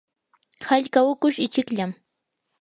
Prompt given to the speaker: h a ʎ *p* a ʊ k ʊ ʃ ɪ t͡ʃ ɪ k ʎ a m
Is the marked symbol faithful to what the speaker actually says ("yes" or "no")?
no